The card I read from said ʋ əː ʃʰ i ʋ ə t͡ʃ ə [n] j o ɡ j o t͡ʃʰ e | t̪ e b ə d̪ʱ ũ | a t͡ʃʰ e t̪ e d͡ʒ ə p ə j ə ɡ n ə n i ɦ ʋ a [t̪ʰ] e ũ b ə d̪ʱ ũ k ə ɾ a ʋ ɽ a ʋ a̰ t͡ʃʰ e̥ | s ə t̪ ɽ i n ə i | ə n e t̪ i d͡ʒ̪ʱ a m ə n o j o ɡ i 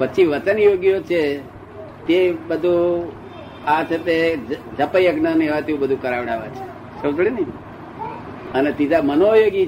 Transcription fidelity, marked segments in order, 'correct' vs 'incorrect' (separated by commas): correct, incorrect